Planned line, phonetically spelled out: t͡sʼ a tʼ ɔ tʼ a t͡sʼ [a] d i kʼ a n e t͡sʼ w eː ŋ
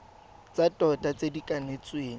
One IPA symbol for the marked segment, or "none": e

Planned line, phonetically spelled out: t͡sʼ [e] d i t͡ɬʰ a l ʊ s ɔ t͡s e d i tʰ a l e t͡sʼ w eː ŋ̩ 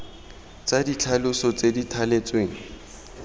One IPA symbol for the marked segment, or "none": a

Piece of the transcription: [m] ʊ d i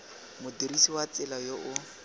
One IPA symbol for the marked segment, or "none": m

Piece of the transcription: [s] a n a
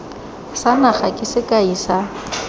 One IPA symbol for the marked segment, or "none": s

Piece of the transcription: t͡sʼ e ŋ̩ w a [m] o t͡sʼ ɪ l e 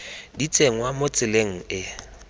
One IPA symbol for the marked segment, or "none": m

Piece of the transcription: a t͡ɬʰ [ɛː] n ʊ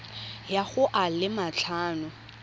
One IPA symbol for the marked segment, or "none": aː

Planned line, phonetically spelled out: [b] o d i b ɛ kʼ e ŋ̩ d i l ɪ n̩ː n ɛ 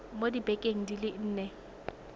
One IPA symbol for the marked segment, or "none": m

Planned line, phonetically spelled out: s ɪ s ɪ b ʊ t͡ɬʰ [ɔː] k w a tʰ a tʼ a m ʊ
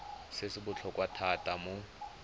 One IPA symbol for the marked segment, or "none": ɔ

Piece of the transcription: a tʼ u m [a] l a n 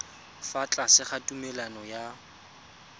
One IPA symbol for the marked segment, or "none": ɛ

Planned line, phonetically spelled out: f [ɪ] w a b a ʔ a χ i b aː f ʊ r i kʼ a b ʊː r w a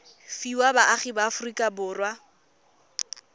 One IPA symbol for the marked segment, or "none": i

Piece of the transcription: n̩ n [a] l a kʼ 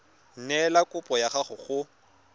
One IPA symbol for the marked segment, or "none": ɛ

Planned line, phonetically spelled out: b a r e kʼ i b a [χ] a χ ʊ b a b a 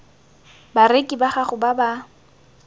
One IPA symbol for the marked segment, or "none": χ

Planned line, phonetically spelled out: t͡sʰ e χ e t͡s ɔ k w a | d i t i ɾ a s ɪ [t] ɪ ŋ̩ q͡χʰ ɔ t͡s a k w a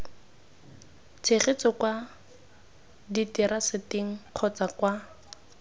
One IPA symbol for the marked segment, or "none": t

